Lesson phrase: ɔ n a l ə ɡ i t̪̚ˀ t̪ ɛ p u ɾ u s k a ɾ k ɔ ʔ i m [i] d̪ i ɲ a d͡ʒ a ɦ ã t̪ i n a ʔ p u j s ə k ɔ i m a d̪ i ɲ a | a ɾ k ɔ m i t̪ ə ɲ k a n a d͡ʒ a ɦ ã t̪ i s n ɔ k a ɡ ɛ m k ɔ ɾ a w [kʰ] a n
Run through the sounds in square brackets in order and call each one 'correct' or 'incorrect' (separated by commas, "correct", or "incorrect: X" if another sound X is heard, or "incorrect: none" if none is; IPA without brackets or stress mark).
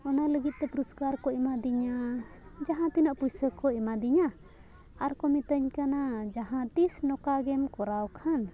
incorrect: a, correct